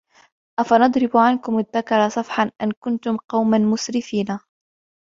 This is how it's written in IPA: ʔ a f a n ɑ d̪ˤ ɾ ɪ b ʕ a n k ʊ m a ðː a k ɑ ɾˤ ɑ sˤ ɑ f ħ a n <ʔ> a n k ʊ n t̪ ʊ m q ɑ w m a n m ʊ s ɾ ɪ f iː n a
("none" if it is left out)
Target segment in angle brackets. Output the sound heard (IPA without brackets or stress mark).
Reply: ʔ